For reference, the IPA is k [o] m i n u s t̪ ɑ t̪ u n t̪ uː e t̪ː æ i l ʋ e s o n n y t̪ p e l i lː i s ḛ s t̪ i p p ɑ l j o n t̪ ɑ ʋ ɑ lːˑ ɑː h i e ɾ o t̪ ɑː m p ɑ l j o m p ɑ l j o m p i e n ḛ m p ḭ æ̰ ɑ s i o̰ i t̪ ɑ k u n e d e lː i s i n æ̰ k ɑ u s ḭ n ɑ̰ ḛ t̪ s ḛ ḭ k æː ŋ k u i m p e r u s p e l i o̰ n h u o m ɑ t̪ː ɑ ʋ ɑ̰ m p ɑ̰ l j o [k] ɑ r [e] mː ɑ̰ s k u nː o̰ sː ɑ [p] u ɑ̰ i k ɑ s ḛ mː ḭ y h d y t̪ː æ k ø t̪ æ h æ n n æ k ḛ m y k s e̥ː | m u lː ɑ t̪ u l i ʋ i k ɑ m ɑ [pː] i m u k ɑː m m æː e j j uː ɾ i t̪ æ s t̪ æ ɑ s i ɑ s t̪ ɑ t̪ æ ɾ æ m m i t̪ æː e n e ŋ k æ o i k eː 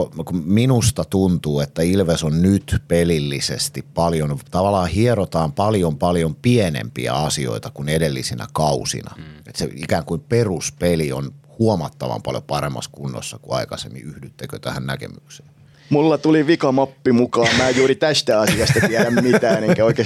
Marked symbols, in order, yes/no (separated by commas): no, no, yes, no, yes